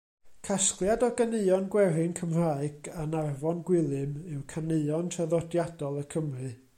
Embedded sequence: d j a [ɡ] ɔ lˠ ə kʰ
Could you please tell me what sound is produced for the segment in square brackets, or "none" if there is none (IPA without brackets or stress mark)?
d